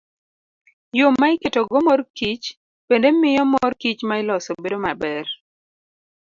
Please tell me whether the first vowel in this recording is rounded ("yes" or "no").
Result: yes